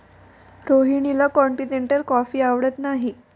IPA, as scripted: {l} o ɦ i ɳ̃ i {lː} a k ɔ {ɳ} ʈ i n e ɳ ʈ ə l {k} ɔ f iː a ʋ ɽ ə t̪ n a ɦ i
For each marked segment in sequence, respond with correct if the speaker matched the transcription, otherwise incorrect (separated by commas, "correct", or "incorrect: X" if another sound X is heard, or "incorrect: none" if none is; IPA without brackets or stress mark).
incorrect: ɾ, incorrect: l, correct, correct